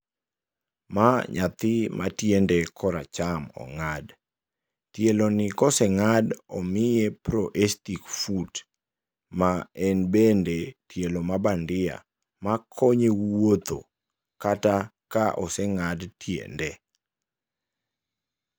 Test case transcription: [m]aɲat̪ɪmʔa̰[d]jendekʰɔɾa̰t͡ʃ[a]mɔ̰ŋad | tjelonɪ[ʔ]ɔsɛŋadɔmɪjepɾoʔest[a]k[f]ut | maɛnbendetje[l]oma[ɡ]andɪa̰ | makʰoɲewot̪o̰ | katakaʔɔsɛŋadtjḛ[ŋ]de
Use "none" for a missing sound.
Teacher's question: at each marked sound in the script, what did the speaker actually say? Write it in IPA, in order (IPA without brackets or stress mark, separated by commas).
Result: m, t, a, k, i, f, l, b, n